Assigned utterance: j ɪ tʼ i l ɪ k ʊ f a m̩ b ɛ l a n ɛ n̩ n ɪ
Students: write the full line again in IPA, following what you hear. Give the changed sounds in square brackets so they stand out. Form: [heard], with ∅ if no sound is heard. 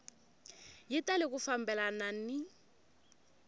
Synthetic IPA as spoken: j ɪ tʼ [a] l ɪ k ʊ f a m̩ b ɛ l a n [a] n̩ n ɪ

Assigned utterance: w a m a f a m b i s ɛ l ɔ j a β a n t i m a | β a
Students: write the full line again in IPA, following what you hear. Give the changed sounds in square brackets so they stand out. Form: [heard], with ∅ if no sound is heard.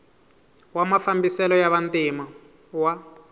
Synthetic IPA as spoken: w a m a f a m b i s ɛ l ɔ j a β a n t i m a | [w] a

